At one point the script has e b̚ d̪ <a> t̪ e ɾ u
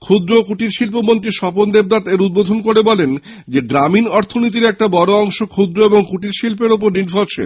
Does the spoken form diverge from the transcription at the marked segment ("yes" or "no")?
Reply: no